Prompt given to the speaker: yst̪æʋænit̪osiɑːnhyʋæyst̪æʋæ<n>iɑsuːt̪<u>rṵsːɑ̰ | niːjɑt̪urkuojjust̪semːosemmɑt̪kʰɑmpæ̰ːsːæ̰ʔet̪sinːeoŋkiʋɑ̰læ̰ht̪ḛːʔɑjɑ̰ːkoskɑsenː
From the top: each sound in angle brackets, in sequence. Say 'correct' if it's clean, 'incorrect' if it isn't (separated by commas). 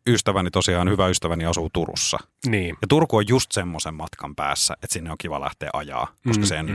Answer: correct, correct